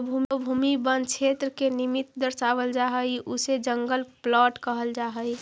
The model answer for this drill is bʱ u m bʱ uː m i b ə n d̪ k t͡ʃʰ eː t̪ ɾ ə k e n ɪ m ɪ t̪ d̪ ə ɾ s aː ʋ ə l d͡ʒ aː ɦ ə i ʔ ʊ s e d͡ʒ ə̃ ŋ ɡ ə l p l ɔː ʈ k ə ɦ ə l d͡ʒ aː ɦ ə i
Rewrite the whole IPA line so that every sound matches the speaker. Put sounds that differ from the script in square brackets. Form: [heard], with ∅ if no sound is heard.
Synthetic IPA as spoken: bʱ u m bʱ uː m i b ə n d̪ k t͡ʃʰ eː t̪ ɾ ə k e n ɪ m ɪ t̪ d̪ ə ɾ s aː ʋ ə l d͡ʒ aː ɦ ə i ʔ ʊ s e d͡ʒ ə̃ ŋ ɡ ə l p l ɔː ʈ k ə ɦ ə l d͡ʒ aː ɦ ə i